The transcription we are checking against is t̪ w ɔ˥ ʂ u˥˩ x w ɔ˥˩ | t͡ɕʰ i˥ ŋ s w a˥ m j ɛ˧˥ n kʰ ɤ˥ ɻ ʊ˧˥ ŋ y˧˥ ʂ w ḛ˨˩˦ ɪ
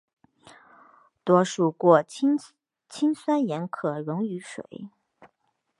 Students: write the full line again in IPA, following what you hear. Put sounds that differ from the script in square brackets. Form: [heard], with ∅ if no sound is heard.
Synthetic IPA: t̪ w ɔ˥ ʂ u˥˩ [k] w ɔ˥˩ | t͡ɕʰ i˥ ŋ s w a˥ [n] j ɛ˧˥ n kʰ [ɤ˨˩] ɻ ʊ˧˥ ŋ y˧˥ ʂ w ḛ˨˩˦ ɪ